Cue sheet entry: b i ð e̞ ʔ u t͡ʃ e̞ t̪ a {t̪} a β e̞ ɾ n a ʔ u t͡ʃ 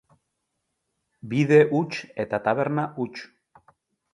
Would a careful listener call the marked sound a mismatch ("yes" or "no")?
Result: no